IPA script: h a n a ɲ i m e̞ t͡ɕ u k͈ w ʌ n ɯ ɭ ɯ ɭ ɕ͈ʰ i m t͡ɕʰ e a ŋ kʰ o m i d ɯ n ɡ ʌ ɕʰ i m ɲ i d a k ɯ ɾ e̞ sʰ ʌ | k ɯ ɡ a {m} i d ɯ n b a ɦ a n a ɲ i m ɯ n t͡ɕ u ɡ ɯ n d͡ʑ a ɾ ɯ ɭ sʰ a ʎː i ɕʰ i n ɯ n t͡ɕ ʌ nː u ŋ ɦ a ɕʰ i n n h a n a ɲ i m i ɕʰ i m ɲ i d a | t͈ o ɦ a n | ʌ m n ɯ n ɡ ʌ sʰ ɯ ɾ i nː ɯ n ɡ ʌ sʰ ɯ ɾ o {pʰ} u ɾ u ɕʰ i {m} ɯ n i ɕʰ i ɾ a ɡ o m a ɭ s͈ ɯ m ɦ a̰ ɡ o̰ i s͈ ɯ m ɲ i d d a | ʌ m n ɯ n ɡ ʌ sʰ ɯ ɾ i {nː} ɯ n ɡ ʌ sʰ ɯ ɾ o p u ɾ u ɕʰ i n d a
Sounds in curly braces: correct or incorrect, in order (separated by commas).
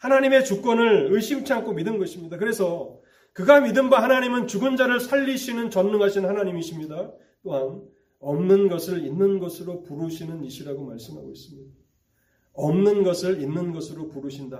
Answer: correct, incorrect, incorrect, correct